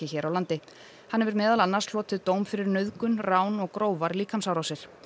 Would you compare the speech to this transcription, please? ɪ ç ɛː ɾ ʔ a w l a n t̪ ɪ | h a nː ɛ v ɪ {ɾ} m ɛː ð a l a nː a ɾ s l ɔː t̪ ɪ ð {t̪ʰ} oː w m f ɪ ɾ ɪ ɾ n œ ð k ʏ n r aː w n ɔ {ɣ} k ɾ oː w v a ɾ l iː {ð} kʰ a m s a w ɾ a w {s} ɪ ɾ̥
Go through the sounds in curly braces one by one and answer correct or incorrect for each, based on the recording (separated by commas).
correct, incorrect, correct, incorrect, correct